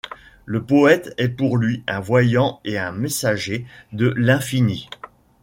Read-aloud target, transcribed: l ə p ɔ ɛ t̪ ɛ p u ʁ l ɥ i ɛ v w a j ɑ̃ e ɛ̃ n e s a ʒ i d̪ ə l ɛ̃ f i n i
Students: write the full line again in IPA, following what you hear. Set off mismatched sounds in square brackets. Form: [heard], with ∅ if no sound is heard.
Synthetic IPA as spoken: l ə p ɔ ɛ t̪ ɛ p u ʁ l ɥ i [ɛ̃] v w a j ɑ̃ e ɛ̃ [m] e s a ʒ [e] d̪ ə l ɛ̃ f i n i